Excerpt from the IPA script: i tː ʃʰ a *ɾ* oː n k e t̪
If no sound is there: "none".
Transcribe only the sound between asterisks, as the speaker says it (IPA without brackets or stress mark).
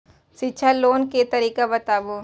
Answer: l